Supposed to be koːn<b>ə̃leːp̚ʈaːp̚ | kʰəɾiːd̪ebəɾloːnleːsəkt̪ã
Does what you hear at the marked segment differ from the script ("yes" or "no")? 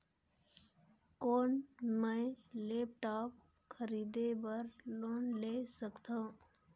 yes